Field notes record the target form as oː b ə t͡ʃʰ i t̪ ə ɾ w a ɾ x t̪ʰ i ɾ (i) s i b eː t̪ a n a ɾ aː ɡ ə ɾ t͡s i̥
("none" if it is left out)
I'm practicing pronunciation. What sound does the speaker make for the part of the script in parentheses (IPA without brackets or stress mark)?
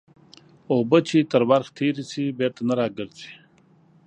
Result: i